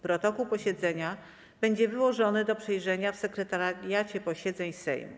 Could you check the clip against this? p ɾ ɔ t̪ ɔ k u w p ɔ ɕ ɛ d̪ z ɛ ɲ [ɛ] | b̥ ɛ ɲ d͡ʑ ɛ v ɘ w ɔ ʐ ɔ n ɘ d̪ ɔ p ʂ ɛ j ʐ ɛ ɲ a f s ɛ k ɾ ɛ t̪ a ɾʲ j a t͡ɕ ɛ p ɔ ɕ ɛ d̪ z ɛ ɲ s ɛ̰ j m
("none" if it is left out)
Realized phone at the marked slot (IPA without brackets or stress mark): a